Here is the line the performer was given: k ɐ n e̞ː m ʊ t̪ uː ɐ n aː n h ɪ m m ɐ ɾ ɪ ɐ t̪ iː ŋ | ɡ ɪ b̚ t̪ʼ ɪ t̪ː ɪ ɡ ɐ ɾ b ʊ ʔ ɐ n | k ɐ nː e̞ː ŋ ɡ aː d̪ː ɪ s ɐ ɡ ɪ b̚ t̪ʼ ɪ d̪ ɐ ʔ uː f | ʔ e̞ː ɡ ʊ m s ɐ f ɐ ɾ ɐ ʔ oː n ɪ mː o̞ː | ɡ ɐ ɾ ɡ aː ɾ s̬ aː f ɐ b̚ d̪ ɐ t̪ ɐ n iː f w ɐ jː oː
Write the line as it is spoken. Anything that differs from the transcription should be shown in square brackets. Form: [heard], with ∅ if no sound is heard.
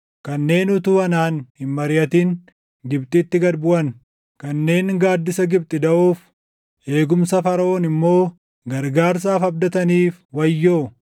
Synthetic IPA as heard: k ɐ [nː] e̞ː [n] ʊ t̪ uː ɐ n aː n h ɪ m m ɐ ɾ ɪ ɐ t̪ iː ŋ | ɡ ɪ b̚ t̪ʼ ɪ t̪ː ɪ ɡ ɐ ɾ b ʊ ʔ ɐ n | k ɐ nː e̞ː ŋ ɡ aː d̪ː ɪ s ɐ ɡ ɪ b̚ t̪ʼ ɪ d̪ ɐ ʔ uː f | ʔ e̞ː ɡ ʊ m s ɐ f ɐ ɾ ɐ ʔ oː n ɪ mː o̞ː | ɡ ɐ ɾ ɡ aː ɾ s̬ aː f ɐ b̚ d̪ ɐ t̪ ɐ n iː f w ɐ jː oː